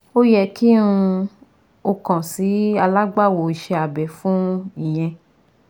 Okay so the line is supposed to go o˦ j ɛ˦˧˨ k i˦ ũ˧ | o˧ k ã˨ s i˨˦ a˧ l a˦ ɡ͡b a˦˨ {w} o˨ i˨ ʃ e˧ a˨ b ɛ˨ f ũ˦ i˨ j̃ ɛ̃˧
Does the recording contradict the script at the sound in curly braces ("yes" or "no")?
no